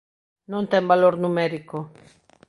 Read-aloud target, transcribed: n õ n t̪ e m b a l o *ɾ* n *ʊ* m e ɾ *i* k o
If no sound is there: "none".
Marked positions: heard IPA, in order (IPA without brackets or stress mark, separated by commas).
ɾ, u, i